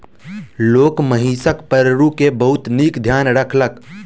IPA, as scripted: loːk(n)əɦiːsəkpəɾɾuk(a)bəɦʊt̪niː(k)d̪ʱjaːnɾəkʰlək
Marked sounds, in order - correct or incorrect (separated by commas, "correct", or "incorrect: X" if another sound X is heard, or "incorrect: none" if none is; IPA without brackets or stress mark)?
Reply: incorrect: m, incorrect: e, correct